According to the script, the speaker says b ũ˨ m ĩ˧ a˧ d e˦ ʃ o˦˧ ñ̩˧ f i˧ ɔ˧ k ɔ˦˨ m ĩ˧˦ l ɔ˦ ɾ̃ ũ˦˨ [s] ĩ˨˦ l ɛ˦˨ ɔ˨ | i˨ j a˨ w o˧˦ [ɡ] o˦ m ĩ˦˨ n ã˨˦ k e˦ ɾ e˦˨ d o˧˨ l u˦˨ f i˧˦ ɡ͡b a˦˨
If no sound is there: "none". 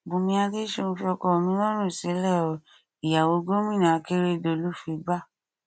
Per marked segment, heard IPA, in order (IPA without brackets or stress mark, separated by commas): s, ɡ